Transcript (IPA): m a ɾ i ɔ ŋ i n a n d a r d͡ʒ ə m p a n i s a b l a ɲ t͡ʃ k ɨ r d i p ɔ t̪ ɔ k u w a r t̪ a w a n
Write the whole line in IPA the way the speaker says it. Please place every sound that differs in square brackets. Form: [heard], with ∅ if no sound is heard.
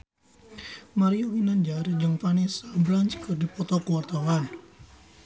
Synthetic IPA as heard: m a ɾ i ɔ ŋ i n a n [d͡ʒ] a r d͡ʒ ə [ŋ] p a n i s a b l a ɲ t͡ʃ k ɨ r d i p ɔ t̪ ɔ k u w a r t̪ a w a n

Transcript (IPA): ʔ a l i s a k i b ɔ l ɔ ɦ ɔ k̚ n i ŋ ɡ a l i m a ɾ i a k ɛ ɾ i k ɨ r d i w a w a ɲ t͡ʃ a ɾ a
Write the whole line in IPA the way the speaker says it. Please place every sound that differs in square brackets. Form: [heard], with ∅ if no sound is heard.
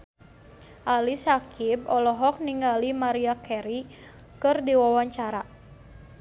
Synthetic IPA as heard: ʔ a l i s a k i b ɔ l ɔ ɦ ɔ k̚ n i ŋ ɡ a l i m a ɾ i a k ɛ ɾ i k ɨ r d i w a w a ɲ t͡ʃ a ɾ a

